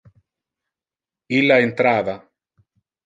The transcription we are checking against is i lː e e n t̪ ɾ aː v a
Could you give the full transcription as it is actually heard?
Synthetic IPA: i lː a e n t̪ ɾ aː v a